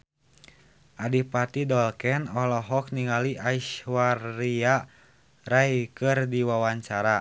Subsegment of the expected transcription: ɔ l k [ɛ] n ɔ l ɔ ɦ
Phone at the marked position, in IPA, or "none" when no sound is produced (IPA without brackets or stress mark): ɛ